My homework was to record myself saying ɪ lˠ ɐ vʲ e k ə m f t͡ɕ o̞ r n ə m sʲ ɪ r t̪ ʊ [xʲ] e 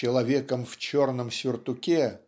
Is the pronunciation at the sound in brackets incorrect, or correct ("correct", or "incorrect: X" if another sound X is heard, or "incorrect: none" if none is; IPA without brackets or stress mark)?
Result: incorrect: kʲ